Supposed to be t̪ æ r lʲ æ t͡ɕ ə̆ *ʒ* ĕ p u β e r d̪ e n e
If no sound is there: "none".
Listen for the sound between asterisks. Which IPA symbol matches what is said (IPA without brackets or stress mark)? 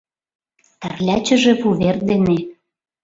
ʒ